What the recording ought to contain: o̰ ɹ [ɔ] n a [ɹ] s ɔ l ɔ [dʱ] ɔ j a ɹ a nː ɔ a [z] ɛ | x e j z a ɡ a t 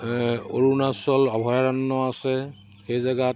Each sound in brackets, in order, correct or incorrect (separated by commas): incorrect, incorrect, incorrect, incorrect